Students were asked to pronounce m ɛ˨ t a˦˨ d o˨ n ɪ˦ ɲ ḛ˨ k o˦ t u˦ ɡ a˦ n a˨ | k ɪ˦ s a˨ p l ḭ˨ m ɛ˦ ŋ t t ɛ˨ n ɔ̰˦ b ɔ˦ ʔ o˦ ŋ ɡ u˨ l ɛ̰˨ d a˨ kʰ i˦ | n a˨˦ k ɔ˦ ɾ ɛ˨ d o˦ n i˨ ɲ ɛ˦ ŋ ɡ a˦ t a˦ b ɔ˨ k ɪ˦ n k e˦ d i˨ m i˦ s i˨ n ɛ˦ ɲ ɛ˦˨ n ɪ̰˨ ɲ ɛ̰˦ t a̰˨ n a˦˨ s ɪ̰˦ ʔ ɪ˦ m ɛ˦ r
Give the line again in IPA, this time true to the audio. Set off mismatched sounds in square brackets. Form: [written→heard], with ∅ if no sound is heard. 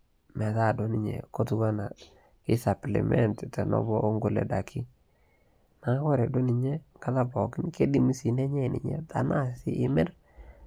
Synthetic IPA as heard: m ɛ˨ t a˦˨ d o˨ n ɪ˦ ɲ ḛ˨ k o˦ t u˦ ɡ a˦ n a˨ | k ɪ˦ s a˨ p l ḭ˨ m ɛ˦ [ŋ→n] t t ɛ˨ n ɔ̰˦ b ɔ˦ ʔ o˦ ŋ ɡ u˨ l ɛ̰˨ d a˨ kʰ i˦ | n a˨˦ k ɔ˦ ɾ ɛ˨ d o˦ n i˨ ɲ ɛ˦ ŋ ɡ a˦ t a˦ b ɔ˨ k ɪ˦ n k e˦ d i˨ m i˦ s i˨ n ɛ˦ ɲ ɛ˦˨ n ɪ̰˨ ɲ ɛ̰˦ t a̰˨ n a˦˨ s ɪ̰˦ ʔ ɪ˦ m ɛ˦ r

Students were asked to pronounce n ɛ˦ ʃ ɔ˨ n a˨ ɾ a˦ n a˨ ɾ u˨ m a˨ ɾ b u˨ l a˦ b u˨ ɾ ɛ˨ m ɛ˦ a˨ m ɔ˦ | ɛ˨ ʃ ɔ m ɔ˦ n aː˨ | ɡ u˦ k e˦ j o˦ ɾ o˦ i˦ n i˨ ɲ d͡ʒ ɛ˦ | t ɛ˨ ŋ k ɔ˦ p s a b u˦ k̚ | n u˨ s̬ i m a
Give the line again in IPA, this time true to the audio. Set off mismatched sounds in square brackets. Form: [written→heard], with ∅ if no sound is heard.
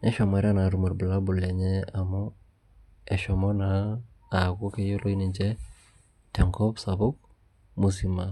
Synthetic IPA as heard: n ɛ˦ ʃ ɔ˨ [n→m] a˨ ɾ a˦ n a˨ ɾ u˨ m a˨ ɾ b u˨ l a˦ b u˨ [ɾ→l] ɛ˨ [m→ɲ] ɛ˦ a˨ m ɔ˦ | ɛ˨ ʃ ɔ m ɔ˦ n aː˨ | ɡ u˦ k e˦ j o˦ [ɾ→l] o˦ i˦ n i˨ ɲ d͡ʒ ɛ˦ | t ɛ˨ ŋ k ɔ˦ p s a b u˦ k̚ | [n→m] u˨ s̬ i m a

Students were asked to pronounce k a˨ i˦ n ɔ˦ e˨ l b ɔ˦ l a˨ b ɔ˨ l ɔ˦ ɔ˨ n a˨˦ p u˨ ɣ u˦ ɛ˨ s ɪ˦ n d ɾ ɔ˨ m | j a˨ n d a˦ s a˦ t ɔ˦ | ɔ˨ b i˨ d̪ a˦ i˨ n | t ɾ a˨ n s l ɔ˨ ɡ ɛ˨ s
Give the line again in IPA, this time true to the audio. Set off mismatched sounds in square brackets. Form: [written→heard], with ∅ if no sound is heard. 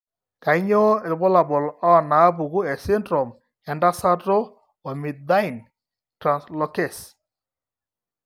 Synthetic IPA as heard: k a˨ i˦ [n→ɲ] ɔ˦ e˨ l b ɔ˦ l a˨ b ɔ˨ l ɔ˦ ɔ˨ n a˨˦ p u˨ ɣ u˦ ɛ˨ s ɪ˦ n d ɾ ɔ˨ m | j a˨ n d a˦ s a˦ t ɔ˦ | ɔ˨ [b→m] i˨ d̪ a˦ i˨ n | t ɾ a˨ n s l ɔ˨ [ɡ→k] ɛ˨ s

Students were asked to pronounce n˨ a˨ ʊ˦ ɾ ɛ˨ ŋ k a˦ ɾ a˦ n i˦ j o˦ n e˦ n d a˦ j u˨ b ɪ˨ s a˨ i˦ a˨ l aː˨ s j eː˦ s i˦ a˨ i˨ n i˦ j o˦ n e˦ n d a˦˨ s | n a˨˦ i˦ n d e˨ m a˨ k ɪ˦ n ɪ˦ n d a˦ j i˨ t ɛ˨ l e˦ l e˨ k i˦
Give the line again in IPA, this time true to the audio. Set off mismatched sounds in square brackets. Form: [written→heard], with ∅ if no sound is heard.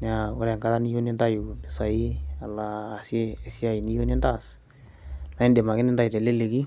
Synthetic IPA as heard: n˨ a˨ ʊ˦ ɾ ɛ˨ ŋ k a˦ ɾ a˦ n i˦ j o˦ n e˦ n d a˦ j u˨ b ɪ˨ s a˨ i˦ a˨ l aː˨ s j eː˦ s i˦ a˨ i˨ n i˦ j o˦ n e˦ n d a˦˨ s | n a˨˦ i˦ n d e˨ m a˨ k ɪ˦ n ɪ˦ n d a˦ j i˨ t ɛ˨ l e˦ l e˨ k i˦

